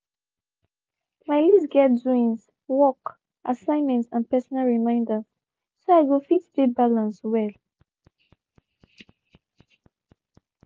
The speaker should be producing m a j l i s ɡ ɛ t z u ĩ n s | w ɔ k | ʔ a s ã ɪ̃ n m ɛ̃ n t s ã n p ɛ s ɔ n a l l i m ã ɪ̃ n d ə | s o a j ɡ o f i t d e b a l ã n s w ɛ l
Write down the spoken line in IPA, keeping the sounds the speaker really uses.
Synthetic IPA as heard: m a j l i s ɡ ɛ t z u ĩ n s | w ɔ k | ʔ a s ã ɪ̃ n m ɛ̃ n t s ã n p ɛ s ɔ n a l ɹ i m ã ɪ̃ n d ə | s o a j ɡ o f i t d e b a l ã n s w ɛ l